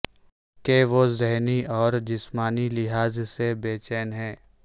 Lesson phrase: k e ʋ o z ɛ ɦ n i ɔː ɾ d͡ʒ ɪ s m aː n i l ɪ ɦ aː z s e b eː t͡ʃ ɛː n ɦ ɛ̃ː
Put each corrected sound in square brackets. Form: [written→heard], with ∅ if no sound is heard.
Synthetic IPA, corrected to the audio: k e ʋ o z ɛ ɦ n i ɔː ɾ d͡ʒ ɪ s m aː n i l ɪ ɦ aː z s e b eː t͡ʃ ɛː n ɦ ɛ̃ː

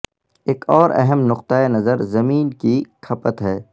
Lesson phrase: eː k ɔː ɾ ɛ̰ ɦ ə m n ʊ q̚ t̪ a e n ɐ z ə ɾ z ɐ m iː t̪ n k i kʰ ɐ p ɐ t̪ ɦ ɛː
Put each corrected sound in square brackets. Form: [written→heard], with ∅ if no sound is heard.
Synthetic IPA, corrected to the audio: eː k ɔː ɾ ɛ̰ ɦ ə m n ʊ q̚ t̪ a e n ɐ z ə ɾ z ɐ m iː [t̪→∅] n k i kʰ ɐ p [ɐ→ə] t̪ ɦ ɛː

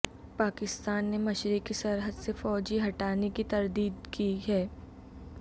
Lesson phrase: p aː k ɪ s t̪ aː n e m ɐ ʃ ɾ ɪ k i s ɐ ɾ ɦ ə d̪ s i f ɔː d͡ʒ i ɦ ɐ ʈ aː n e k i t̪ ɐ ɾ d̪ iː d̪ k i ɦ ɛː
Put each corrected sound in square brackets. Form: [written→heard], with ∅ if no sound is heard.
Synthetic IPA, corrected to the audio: p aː k ɪ s t̪ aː [n→nː] e m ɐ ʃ ɾ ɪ k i s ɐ ɾ ɦ ə d̪ s [i→e] f ɔː d͡ʒ i ɦ ɐ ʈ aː n e k i t̪ ɐ ɾ d̪ iː d̪ k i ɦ ɛː

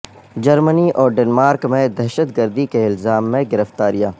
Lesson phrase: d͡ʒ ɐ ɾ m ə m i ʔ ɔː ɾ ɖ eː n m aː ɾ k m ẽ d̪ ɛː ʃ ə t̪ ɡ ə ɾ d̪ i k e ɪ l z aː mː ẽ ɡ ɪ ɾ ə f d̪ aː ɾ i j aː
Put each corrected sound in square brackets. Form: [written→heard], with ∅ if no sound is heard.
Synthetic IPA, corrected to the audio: d͡ʒ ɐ ɾ m ə [m→n] i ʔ ɔː ɾ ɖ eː n m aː ɾ k m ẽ d̪ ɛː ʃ ə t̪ ɡ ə ɾ d̪ i k e ɪ l z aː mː ẽ ɡ ɪ ɾ ə f [d̪→t̪] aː ɾ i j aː

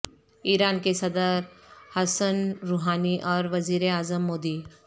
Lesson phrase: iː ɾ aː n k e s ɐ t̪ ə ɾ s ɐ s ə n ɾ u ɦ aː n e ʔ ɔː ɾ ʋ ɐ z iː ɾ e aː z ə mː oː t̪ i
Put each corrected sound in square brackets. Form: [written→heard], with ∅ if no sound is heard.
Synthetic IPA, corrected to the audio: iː ɾ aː n k e s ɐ [t̪→d̪] ə ɾ [s→h] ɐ s ə n ɾ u ɦ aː n [e→i] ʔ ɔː ɾ ʋ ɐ z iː ɾ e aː z ə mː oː [t̪→d̪] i

